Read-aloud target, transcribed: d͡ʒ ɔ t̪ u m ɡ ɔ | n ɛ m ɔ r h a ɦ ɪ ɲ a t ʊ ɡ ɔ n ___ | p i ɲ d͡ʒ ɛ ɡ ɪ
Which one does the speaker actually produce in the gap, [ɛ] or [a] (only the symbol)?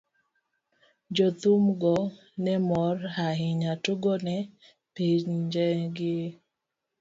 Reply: ɛ